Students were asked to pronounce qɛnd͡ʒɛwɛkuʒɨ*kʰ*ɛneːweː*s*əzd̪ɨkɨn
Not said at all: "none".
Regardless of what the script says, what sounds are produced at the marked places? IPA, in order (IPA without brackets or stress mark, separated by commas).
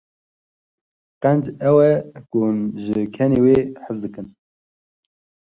kʰ, ħ